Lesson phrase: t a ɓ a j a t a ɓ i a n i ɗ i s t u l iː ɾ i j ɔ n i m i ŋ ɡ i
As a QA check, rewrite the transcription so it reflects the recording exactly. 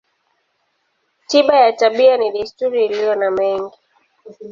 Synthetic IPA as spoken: t i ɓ a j a t a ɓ i a n i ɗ i s t u ɾ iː l i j ɔ n a m ɛ ŋ ɡ i